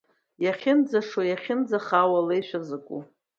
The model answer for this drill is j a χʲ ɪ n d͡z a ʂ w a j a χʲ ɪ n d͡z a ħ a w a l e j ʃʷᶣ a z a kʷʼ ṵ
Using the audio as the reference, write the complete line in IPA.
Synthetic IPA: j a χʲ ɪ n d͡z a ʂ w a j a χʲ ɪ n d͡z a χ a w a l e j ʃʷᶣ a z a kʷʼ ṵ